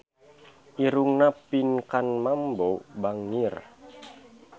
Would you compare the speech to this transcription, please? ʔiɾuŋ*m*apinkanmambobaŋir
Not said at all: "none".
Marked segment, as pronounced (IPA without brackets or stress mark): n